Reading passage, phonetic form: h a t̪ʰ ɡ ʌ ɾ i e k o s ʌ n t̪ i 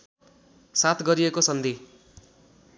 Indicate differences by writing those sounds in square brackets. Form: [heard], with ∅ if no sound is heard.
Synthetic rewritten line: [s] a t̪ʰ ɡ ʌ ɾ i e k o s ʌ n [d̪] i